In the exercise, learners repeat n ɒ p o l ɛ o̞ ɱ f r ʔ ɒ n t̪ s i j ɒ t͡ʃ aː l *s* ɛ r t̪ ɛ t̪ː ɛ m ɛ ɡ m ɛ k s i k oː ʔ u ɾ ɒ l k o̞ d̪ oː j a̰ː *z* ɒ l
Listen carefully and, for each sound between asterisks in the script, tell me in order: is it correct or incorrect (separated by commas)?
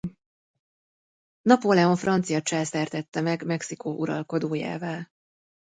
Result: correct, incorrect